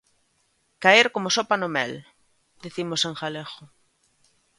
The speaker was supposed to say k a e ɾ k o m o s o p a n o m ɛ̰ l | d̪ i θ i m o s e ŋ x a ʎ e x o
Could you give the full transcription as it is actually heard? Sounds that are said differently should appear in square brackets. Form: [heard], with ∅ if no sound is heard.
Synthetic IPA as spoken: k a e ɾ k o m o s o p a n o m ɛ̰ l | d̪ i θ i m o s e ŋ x a [l] e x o